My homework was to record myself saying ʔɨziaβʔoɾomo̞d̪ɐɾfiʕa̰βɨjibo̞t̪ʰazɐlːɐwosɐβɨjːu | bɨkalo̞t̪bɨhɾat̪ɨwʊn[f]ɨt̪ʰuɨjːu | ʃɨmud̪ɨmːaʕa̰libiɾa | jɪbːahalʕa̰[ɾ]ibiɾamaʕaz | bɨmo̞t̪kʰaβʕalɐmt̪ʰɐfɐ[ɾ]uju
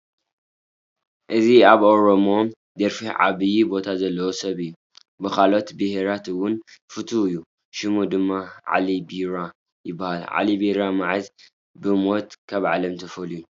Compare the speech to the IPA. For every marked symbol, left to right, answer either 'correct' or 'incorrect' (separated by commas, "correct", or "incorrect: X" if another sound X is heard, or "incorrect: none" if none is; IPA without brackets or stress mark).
correct, incorrect: l, incorrect: l